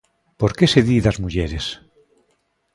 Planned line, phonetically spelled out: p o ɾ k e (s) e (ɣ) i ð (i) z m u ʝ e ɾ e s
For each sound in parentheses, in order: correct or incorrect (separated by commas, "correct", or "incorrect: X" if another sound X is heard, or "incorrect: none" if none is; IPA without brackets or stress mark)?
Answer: correct, incorrect: ð, incorrect: a